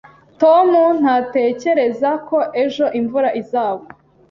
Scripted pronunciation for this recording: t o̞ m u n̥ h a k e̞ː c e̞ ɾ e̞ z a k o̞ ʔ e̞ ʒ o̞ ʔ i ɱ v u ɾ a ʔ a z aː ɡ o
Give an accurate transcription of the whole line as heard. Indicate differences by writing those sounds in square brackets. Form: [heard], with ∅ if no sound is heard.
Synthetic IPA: t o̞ m u n̥ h a [t] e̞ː c e̞ ɾ e̞ z a k o̞ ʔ e̞ ʒ o̞ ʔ i ɱ v u ɾ a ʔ [i] z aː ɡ o